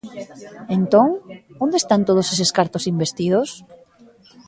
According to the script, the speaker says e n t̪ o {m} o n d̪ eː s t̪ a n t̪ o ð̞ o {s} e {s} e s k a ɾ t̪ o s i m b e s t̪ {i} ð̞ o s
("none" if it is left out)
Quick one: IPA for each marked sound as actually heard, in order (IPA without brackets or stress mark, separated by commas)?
ŋ, s, s, i